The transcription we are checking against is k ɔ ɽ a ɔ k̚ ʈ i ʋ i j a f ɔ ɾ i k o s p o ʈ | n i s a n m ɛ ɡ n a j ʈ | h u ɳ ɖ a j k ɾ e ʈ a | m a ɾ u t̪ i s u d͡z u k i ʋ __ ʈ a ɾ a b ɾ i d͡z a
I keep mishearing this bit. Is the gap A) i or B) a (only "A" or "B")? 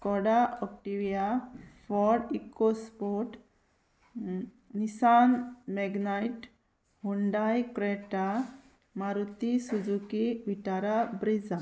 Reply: A